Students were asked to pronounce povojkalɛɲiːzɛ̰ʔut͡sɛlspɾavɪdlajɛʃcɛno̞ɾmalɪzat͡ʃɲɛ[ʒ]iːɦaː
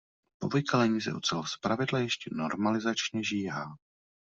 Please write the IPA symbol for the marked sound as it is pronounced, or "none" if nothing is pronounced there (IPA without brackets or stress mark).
ʒ